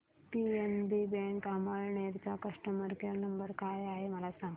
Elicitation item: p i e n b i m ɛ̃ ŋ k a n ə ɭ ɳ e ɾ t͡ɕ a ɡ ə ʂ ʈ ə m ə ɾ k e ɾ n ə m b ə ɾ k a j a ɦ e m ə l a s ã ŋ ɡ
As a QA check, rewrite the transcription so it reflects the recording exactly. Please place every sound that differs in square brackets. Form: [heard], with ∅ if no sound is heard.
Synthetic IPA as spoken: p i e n b i [b] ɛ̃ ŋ k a [m] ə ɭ ɳ e ɾ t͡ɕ a [k] ə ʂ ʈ ə m ə ɾ k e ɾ n ə m b ə ɾ k a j a ɦ e m ə l a s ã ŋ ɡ